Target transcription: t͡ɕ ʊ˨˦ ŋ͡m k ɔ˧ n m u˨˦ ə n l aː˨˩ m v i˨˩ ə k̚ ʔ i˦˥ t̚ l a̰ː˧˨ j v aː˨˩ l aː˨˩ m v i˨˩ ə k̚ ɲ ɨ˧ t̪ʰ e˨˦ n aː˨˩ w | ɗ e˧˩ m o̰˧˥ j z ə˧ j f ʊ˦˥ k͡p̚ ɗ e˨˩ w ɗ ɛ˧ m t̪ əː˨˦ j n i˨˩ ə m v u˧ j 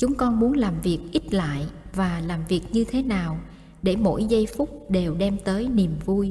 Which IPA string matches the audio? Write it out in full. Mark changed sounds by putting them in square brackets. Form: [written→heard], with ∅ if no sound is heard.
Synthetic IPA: t͡ɕ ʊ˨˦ ŋ͡m k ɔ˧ n m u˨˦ ə n l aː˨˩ m v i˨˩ ə k̚ ʔ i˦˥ t̚ l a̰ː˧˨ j v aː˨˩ l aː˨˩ m v i˨˩ ə k̚ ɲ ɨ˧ t̪ʰ e˨˦ n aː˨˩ w | ɗ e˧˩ m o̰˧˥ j z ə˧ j f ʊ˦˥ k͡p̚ ɗ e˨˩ w ɗ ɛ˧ m t̪ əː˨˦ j n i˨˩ ə m v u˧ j